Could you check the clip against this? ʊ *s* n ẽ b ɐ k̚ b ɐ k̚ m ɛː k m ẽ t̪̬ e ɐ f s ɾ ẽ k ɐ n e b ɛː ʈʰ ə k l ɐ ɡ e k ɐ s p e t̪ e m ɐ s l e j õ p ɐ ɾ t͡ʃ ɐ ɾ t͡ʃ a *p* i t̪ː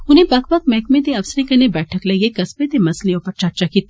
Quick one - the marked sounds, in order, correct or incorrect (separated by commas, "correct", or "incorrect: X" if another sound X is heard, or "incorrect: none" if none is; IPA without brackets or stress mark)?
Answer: incorrect: none, incorrect: k